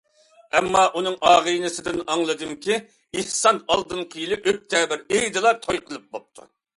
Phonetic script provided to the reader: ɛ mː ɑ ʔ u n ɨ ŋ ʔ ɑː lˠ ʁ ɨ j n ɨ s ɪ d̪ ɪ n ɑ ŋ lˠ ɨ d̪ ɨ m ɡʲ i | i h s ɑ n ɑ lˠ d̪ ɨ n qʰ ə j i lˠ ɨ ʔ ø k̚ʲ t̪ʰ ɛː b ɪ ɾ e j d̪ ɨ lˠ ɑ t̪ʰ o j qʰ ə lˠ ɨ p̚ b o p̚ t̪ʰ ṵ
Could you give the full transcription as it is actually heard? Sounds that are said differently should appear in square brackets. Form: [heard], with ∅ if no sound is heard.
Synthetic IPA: ɛ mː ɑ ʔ u n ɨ ŋ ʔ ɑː [∅] ʁ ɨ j n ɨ s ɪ d̪ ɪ n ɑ ŋ lˠ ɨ d̪ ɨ m [kʲ] i | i h s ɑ n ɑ lˠ d̪ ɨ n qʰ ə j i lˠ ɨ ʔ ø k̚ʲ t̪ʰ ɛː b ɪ ɾ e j d̪ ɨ lˠ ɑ t̪ʰ o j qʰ ə lˠ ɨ p̚ b o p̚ t̪ʰ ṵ